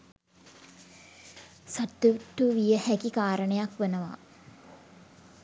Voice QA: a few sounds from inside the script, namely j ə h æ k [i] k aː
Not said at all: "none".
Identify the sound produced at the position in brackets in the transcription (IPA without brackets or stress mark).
i